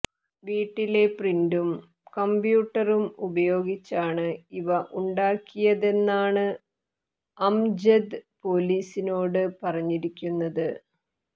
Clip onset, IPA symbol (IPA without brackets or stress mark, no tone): ʋ